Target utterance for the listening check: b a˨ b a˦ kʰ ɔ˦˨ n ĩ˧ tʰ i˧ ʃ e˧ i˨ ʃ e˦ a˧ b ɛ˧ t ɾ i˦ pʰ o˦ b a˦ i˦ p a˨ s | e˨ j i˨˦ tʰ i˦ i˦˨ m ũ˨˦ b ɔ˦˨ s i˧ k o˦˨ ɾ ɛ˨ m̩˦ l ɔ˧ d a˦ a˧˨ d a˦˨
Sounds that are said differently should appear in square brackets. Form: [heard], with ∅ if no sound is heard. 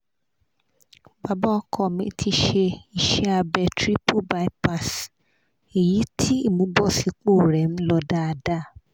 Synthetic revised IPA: b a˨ b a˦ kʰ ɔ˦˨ [m] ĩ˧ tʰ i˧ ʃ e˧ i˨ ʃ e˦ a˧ b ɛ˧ t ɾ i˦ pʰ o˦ b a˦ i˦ p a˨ s | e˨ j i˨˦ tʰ i˦ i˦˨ m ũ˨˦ b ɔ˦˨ s i˧ [k͡p] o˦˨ ɾ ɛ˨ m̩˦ l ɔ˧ d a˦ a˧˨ d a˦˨

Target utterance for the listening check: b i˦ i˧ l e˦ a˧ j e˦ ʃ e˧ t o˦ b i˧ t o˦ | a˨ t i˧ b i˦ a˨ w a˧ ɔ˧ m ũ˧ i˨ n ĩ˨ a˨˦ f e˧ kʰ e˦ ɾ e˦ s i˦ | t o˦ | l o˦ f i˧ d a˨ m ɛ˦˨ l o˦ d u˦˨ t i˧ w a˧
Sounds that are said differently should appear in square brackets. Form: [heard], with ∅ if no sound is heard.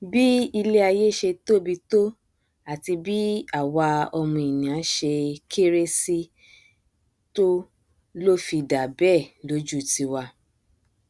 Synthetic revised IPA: b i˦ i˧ l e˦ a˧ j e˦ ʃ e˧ t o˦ b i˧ t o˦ | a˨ t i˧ b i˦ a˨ w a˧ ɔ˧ m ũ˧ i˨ n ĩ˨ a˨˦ [ʃ] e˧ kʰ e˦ ɾ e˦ s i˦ | t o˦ | l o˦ f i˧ d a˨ [b] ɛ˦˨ l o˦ [d͡ʒ] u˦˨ t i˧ w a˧

